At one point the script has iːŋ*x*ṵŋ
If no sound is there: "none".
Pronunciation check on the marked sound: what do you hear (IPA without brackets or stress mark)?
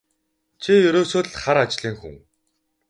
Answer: x